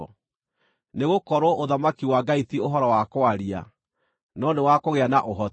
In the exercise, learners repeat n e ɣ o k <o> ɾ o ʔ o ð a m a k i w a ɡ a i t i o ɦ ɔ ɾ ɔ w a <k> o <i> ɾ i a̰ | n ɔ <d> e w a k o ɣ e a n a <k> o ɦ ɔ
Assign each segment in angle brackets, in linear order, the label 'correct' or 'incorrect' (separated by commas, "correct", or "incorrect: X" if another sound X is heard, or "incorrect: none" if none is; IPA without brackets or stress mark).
incorrect: ɔ, correct, incorrect: a, incorrect: n, incorrect: ʔ